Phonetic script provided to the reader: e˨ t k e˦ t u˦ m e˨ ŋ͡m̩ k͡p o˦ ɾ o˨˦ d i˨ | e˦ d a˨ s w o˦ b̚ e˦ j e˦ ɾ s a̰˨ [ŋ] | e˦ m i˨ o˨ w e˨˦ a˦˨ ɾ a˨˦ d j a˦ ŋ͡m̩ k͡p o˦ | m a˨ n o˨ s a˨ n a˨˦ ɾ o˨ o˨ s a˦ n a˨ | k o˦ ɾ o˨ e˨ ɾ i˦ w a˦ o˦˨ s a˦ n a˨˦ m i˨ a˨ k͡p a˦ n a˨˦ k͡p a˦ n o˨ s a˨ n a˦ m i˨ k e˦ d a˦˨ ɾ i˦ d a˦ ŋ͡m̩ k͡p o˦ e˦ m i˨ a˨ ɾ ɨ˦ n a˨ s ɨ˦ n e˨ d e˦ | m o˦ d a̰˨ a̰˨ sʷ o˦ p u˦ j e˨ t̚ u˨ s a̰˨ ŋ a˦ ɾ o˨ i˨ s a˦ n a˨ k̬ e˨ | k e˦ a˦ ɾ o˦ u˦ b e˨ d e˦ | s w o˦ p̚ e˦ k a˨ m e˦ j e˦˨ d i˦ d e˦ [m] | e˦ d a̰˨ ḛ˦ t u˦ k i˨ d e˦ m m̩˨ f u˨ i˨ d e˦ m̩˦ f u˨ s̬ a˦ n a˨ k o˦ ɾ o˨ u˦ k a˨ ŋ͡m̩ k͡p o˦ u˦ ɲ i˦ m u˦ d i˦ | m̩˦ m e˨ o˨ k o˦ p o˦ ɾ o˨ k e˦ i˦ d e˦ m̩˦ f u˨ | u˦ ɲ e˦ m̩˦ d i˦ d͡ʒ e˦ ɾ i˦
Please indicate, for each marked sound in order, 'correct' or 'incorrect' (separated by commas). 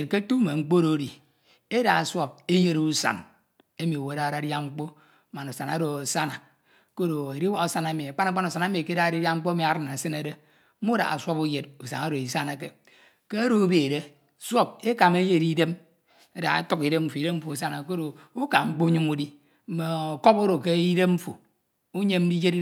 incorrect, correct